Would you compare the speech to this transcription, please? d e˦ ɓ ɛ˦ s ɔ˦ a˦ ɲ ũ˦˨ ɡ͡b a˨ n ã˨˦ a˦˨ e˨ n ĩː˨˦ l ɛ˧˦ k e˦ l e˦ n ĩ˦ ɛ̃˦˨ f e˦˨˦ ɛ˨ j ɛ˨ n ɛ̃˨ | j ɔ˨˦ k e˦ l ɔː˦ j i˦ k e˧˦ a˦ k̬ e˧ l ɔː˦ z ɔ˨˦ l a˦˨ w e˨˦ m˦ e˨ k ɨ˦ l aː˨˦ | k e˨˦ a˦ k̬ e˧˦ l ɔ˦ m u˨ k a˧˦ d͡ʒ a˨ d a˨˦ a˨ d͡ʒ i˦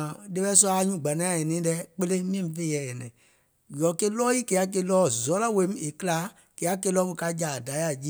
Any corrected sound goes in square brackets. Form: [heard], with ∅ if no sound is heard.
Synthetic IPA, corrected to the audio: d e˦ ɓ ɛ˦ s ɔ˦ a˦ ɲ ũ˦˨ ɡ͡b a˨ n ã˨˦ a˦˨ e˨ n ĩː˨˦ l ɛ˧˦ [k͡p] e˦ l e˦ [m] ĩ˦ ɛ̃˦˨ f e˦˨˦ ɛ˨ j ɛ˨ n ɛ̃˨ | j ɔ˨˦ k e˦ l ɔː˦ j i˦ k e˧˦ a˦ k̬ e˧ l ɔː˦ z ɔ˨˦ l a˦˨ w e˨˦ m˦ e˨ k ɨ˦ l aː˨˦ | k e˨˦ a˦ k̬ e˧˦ l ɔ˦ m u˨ k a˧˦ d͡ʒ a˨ d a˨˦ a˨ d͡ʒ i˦